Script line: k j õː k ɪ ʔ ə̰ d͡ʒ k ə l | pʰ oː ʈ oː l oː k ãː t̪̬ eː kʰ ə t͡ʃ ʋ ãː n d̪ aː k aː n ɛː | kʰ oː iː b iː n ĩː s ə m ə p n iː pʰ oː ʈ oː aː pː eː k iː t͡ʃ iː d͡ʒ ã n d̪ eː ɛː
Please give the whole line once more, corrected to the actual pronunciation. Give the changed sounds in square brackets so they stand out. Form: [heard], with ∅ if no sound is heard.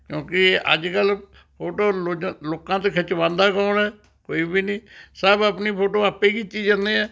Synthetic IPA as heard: k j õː k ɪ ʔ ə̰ d͡ʒ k ə l | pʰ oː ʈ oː l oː k ãː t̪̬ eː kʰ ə t͡ʃ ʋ ãː n d̪ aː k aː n ɛː | [k] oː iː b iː n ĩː s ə [b] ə p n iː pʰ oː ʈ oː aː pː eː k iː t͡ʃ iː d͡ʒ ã n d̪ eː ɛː